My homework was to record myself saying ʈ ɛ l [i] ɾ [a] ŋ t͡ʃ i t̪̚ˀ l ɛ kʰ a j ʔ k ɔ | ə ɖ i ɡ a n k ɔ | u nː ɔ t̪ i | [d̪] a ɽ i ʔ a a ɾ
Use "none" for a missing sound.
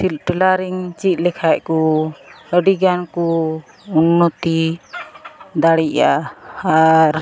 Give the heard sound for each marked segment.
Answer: a, i, d̪

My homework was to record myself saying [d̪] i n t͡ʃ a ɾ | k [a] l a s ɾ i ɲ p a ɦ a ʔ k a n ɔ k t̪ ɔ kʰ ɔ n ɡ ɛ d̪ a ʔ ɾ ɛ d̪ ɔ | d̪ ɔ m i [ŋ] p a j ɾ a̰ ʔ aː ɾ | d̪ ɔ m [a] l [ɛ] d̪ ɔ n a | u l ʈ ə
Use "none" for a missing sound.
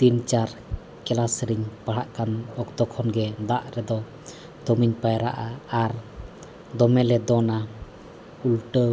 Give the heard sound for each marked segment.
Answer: t̪, ɛ, ɲ, ɛ, ɛ

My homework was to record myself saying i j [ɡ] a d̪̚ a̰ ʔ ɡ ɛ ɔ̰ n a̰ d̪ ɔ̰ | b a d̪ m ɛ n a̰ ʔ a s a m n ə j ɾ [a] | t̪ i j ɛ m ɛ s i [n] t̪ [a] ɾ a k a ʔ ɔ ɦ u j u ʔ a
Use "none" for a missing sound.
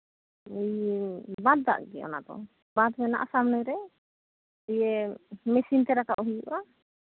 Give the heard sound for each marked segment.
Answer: b, ɛ, n, ɛ

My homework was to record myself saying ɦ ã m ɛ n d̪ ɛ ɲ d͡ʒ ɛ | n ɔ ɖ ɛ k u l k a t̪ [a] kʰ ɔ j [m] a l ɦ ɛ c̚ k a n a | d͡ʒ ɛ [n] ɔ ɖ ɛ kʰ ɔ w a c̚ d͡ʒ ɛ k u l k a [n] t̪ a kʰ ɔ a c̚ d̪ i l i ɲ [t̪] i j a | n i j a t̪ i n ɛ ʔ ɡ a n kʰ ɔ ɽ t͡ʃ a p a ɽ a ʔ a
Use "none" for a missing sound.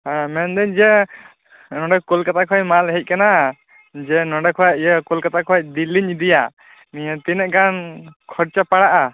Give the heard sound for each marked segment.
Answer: a, m, n, none, d̪

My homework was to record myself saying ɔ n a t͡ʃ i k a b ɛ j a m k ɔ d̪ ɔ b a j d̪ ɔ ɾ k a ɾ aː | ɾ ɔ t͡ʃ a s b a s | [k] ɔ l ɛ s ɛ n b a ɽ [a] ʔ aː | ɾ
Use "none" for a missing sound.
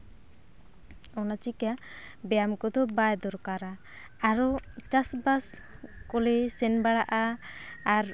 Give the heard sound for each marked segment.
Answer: k, a

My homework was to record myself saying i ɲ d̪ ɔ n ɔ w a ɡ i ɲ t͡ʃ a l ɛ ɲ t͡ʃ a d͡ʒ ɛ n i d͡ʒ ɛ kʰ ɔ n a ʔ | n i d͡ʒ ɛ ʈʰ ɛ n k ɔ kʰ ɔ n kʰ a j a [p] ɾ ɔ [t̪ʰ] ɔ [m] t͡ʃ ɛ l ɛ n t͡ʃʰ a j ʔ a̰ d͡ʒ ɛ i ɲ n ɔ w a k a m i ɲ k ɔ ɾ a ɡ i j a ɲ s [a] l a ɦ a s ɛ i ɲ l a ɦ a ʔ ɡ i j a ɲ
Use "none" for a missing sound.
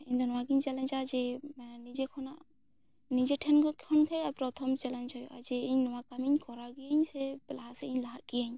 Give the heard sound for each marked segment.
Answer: p, t̪ʰ, m, ɛ

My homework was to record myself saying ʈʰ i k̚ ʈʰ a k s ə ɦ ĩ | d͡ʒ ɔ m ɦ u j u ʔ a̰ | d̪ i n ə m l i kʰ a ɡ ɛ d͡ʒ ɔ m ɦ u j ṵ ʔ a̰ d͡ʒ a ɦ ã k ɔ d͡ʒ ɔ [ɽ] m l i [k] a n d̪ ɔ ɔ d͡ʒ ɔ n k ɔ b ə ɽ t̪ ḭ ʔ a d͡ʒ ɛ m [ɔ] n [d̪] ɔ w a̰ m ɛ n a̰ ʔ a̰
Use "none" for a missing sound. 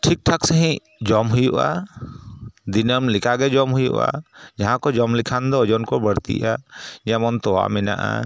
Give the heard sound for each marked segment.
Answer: none, kʰ, ɔ, t̪

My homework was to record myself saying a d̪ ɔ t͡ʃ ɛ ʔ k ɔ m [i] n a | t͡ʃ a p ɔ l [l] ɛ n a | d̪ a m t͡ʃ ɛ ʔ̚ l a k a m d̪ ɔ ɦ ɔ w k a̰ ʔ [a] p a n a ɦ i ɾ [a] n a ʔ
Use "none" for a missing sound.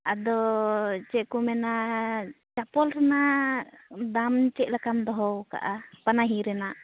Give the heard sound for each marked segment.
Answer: ɛ, ɾ, a, ɛ

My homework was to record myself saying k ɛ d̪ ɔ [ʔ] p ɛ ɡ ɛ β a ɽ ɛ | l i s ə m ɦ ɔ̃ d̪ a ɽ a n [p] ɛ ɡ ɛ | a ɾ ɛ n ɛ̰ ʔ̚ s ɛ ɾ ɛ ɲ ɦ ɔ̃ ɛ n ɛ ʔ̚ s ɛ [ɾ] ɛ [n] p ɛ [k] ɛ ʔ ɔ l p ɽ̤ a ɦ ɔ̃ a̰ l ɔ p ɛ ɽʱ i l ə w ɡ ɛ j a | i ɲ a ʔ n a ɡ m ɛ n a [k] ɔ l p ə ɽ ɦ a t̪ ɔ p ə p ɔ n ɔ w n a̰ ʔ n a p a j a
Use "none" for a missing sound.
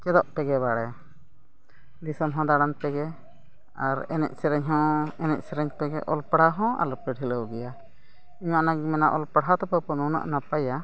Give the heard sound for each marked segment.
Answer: ʔ, p, ɾ, ɲ, ɡ, ʔ

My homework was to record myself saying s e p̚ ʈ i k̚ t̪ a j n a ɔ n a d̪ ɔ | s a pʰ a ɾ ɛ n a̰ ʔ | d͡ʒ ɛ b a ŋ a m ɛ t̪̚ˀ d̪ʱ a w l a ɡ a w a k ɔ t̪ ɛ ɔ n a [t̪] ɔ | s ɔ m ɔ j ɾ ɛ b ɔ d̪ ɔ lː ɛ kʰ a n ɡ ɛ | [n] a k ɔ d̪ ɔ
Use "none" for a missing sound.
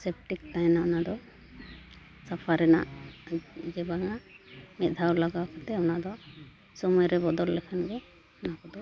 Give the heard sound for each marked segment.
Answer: d̪, n

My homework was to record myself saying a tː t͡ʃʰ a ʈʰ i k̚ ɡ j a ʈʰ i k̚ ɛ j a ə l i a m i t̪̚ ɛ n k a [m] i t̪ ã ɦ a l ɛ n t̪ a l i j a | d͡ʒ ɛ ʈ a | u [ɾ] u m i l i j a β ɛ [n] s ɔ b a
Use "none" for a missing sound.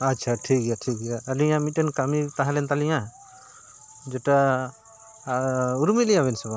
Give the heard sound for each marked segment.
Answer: m, ɾ, n

